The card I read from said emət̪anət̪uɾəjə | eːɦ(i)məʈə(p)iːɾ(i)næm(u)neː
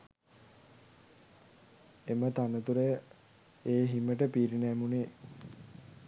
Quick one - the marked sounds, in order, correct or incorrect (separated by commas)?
correct, correct, correct, correct